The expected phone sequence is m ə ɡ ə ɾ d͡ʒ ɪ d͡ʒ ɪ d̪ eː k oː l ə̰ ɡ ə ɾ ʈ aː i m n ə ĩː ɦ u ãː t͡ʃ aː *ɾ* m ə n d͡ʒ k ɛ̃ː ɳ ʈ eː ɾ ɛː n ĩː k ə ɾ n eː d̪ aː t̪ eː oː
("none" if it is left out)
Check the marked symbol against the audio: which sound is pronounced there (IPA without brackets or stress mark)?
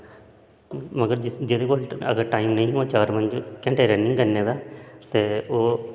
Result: ɾ